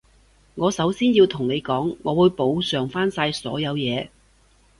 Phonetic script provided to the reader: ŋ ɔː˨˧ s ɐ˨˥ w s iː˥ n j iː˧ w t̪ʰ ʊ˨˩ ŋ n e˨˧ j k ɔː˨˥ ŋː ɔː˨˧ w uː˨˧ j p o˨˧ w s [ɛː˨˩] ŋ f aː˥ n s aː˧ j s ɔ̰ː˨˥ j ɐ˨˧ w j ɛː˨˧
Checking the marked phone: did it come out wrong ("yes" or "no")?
yes